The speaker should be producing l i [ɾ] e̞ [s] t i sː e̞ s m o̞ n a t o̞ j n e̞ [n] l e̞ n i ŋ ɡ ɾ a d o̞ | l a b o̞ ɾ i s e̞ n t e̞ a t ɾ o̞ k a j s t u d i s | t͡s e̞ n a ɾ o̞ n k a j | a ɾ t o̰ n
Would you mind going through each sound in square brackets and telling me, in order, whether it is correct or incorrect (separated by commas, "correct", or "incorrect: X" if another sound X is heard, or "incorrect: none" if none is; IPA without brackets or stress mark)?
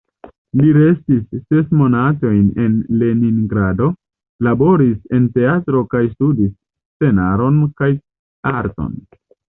correct, correct, correct